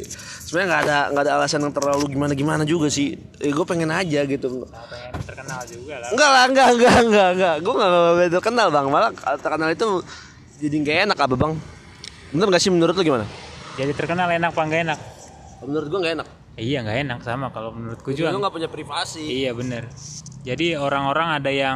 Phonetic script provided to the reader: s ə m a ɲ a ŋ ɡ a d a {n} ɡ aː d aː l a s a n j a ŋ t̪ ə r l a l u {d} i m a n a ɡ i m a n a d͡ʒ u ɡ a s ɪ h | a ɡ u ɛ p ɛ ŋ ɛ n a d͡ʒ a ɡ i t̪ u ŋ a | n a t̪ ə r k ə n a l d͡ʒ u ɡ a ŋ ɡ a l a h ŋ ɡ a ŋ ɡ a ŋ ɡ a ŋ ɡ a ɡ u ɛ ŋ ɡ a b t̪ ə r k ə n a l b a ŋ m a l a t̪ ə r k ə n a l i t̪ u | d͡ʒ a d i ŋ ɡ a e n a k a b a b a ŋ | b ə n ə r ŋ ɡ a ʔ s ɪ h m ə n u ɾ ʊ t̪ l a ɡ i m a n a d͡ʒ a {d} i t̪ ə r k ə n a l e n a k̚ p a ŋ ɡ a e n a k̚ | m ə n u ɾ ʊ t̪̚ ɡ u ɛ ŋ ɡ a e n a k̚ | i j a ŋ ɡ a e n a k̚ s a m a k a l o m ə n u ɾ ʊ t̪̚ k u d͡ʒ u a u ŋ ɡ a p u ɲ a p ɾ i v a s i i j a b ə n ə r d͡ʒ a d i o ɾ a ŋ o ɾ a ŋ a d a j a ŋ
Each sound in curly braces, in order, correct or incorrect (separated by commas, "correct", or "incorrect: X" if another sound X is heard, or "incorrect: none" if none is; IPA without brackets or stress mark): incorrect: ŋ, incorrect: ɡ, correct